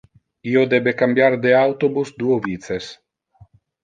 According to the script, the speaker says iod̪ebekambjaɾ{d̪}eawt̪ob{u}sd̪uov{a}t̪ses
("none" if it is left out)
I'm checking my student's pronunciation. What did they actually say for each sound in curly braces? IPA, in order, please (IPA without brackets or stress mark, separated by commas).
d̪, u, i